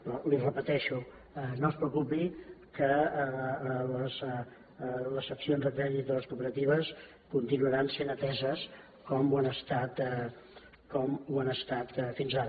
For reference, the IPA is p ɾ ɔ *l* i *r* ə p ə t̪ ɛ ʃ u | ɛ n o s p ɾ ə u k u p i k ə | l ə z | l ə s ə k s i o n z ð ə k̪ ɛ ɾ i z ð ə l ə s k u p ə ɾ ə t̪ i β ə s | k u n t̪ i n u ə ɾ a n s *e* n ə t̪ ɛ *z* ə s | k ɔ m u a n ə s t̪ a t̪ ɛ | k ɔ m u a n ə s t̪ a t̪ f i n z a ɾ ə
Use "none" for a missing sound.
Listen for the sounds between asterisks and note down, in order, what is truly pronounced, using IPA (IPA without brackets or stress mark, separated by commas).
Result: l, r, e, z